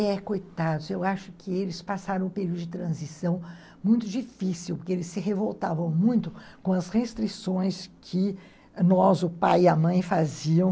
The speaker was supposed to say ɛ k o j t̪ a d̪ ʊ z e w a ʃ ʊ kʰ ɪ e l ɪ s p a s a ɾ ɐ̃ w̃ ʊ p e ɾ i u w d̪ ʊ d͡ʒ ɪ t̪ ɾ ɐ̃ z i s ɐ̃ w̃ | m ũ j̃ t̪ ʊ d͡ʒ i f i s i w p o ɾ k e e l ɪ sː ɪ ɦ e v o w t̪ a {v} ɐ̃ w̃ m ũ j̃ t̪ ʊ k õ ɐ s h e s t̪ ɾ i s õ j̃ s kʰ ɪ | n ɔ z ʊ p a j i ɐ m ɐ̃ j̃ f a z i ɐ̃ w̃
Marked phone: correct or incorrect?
correct